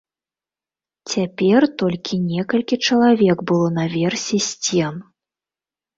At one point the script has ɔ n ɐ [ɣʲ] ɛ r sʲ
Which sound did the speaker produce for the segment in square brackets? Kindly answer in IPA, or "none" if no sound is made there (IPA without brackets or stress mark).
vʲ